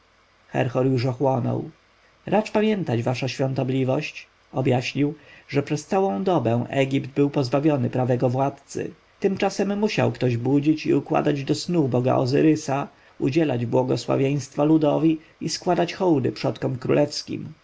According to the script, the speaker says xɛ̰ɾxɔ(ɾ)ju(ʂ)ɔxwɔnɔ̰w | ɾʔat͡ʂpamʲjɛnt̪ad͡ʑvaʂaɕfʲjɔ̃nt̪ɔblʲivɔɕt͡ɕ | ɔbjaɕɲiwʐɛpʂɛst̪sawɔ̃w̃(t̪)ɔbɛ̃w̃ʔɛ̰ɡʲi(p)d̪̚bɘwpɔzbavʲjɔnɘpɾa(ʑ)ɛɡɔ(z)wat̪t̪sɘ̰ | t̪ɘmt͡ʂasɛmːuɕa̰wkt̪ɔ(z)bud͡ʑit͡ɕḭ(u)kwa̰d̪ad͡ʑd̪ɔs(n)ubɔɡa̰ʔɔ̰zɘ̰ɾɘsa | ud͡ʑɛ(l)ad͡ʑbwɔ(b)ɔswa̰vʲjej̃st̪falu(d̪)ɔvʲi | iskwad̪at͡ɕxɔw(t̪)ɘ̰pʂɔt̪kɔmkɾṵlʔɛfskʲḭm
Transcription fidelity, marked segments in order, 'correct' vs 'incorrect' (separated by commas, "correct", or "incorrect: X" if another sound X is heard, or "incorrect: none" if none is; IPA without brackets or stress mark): correct, correct, incorrect: d̪, correct, incorrect: v, incorrect: v, incorrect: ʑ, correct, correct, correct, incorrect: ɡ, correct, incorrect: d̪